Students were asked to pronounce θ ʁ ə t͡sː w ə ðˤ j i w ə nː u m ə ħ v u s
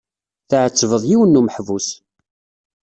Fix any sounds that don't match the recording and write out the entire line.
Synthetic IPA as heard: θ ʕ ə t͡sː v ə ðˤ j i w ə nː u m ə ħ v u s